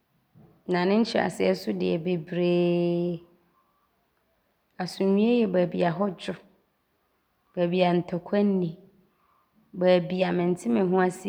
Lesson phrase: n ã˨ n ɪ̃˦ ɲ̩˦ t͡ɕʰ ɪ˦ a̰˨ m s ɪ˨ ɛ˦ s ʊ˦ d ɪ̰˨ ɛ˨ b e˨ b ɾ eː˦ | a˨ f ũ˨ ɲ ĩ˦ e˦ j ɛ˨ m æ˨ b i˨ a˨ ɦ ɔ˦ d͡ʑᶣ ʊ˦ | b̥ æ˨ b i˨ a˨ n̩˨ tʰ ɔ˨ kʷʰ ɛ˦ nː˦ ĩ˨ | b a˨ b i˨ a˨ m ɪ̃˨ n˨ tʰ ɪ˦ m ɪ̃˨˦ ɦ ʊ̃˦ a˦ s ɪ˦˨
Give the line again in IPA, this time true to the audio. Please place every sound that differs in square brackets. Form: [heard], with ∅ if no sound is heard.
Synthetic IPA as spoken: n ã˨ n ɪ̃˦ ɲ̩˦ t͡ɕʰ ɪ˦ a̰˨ [∅] s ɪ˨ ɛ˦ s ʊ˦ d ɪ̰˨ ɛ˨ b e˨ b ɾ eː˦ | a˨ [s] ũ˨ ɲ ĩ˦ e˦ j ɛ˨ [b] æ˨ b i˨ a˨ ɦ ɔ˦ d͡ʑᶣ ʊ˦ | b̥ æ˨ b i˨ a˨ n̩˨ tʰ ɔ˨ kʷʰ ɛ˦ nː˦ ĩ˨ | b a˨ b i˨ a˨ m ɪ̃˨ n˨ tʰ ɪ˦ m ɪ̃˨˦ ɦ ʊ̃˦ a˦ s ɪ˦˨